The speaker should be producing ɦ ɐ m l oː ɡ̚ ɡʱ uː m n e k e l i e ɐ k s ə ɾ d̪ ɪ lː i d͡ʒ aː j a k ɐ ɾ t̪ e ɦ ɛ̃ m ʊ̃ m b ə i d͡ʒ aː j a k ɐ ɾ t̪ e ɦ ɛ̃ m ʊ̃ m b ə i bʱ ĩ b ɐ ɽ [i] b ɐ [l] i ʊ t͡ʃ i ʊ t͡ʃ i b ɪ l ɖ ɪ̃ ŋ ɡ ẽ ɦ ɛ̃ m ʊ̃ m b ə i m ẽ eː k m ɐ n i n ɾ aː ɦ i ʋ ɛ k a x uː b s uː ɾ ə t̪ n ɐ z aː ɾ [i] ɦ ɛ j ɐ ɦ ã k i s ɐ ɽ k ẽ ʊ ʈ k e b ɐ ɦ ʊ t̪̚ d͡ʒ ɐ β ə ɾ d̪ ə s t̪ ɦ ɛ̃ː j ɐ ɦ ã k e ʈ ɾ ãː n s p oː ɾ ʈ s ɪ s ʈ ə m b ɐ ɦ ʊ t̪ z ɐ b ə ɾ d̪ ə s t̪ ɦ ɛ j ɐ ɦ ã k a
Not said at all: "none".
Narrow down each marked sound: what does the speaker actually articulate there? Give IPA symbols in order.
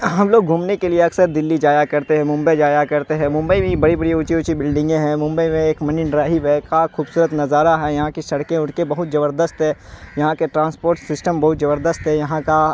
i, ɽ, a

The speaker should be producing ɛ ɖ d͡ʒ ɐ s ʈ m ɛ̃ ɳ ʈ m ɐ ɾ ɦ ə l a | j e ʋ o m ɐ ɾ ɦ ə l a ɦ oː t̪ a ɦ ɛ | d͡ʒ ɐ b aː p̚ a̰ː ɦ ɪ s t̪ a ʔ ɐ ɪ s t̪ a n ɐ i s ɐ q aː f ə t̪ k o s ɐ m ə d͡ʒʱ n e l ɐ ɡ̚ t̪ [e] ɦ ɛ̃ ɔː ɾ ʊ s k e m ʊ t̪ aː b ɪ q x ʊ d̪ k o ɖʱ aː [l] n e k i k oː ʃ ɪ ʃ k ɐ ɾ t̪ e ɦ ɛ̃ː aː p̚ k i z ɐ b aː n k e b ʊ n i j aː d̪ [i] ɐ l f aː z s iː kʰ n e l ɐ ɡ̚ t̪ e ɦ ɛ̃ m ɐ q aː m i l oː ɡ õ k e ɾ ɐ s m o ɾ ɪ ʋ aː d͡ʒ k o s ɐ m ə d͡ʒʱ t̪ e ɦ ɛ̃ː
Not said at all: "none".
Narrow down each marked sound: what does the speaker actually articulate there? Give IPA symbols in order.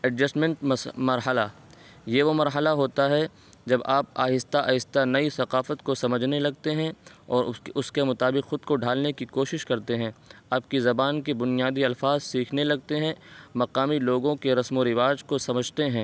e, l, i

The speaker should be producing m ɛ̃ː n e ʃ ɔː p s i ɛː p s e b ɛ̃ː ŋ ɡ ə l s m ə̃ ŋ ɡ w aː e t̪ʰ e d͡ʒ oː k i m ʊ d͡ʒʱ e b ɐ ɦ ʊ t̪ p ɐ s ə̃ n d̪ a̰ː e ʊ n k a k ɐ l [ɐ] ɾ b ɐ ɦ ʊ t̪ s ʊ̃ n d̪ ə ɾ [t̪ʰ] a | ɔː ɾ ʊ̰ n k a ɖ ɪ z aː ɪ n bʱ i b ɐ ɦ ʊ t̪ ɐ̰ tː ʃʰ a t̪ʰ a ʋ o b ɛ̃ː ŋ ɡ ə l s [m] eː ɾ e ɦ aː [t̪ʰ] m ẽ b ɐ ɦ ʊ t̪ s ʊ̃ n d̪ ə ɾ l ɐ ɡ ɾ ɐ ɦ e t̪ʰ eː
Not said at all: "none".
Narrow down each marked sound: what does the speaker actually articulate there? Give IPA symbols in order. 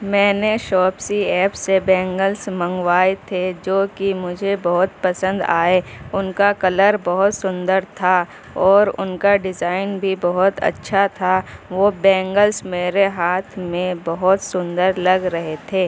ə, t̪ʰ, m, t̪ʰ

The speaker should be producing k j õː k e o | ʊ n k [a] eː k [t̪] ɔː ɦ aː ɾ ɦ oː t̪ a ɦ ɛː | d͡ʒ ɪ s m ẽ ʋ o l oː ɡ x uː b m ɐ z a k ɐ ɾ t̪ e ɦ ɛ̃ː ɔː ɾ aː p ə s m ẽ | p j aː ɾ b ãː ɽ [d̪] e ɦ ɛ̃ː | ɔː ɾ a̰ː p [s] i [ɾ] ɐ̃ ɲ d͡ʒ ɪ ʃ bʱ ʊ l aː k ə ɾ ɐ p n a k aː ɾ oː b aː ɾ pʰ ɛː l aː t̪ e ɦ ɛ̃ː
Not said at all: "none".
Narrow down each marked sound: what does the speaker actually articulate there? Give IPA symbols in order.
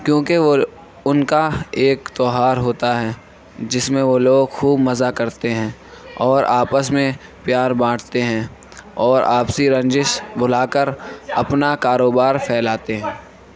a, t̪, t̪, s, ɾ

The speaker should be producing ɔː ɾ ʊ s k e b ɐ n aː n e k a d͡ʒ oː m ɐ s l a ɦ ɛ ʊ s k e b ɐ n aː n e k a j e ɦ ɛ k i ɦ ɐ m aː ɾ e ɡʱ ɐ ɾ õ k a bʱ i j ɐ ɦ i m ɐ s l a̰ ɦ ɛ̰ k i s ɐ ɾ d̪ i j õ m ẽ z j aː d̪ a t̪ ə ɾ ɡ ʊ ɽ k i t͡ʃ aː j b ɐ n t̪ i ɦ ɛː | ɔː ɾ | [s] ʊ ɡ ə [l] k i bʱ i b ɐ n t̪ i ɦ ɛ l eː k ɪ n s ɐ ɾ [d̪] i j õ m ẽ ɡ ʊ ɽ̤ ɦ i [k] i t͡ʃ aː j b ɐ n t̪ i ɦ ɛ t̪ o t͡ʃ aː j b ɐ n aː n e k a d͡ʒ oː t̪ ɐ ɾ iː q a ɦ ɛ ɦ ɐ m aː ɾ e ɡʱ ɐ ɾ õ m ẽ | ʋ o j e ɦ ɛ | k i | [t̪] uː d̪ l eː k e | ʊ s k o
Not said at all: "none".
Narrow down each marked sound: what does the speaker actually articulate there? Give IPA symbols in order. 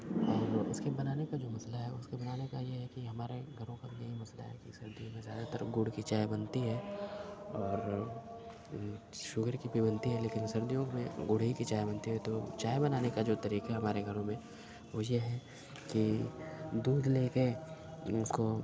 ʃ, ɾ, d̪, k, d̪

